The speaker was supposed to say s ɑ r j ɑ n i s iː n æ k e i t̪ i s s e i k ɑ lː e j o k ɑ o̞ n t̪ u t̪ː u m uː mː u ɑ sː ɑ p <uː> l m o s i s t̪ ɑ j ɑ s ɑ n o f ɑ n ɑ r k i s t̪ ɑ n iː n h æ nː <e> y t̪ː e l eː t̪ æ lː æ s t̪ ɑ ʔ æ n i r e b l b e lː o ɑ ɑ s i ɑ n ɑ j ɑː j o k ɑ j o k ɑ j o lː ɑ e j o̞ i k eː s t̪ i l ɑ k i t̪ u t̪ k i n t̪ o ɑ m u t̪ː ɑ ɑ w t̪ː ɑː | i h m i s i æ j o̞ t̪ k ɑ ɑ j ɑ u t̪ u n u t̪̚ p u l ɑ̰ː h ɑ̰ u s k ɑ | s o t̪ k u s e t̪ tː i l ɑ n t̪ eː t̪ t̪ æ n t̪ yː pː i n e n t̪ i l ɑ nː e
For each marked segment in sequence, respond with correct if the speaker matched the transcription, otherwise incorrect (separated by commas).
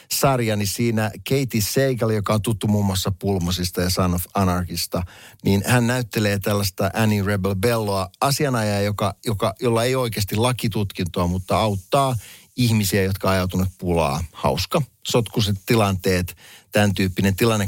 incorrect, incorrect